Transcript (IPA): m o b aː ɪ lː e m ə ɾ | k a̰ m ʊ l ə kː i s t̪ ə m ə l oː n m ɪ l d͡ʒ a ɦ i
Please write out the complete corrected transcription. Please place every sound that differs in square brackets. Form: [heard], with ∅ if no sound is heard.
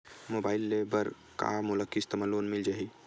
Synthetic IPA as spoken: m o b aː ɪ lː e [b] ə ɾ | k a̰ m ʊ l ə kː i s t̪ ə m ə l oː n m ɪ l d͡ʒ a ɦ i